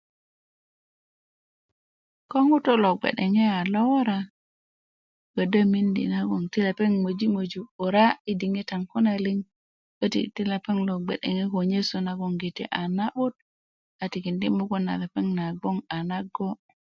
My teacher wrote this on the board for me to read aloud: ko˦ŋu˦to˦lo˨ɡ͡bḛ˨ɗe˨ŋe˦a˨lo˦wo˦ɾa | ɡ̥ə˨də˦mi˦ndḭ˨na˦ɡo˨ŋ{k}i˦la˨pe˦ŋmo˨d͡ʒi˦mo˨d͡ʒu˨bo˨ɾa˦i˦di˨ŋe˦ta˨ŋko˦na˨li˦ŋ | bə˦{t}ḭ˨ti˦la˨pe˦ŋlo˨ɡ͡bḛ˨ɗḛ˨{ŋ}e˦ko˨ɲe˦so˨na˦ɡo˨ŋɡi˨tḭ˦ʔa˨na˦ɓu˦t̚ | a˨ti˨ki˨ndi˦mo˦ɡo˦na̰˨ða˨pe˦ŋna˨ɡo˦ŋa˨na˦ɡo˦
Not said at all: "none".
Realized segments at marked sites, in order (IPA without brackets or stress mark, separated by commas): t, t, ŋ